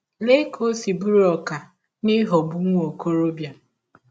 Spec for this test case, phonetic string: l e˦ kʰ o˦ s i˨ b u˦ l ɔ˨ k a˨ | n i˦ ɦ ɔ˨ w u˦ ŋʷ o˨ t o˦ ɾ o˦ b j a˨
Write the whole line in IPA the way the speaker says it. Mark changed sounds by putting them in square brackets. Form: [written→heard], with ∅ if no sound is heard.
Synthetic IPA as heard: l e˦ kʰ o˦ s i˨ b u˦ [l→ɾ] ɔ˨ k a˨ | n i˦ ɦ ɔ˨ [w→b] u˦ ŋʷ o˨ [t→k] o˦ ɾ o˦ b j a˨